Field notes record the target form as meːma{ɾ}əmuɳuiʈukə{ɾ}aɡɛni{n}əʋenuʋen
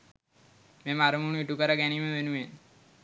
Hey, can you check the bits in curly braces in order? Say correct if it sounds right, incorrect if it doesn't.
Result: correct, correct, incorrect: m

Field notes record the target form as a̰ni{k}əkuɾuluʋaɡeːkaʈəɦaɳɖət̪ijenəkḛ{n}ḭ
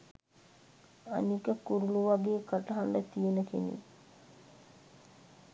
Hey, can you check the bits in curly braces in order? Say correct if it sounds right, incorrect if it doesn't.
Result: correct, correct

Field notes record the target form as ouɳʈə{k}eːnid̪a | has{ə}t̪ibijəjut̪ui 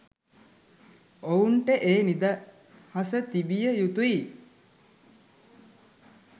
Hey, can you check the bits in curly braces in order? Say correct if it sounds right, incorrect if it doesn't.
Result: incorrect: ʔ, correct

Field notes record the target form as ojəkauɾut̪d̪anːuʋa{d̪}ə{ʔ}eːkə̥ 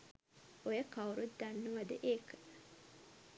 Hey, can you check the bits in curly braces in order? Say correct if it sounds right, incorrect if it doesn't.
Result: correct, correct

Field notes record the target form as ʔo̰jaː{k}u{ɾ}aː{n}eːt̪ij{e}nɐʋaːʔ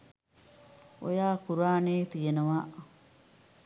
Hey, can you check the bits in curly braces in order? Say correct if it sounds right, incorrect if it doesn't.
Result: correct, correct, correct, correct

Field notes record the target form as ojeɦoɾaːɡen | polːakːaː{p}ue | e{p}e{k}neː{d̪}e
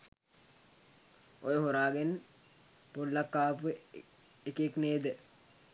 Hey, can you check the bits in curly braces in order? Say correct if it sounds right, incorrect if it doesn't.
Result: correct, incorrect: k, correct, correct

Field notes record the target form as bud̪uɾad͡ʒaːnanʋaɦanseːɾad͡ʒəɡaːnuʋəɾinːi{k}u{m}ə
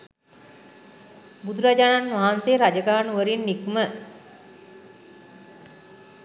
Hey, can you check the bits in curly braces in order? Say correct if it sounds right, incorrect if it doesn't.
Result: correct, correct

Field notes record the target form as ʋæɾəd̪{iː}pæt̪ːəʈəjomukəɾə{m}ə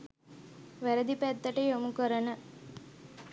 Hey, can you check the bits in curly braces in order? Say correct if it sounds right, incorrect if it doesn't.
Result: incorrect: i, incorrect: n

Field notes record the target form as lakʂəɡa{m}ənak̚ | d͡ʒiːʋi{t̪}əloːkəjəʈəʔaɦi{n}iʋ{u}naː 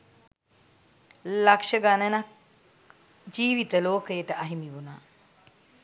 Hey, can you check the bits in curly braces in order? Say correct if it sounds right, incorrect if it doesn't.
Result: incorrect: n, correct, incorrect: m, correct

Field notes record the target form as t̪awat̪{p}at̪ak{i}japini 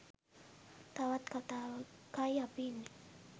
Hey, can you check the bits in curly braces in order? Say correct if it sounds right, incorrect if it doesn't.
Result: incorrect: k, incorrect: a

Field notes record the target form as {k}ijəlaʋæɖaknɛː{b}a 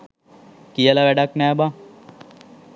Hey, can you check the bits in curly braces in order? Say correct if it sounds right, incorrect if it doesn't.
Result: correct, correct

